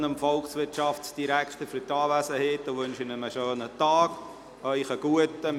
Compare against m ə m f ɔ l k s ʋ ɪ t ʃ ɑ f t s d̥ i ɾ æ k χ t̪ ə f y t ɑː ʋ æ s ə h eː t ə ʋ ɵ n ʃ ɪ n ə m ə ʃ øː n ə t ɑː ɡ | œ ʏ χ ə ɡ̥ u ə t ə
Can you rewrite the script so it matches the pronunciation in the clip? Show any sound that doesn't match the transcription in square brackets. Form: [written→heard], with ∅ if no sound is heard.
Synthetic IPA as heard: [m→n] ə m f ɔ l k s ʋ ɪ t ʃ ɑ f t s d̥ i ɾ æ k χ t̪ ə f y t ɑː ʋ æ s ə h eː t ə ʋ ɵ n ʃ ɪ n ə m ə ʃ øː n ə t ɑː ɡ | œ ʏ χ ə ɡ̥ u ə t ə

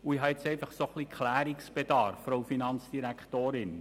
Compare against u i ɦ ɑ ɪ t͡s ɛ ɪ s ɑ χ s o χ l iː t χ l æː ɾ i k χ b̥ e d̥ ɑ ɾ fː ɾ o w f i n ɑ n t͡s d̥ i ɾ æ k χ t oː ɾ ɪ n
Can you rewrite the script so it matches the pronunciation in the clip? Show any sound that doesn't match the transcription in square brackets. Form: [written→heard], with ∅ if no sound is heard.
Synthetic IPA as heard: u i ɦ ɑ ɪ t͡s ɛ ɪ [s→f] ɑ χ s o χ l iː [t→k] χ l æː ɾ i k [χ→s] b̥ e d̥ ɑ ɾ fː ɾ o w f i n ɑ n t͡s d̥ i ɾ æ k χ t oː ɾ ɪ n

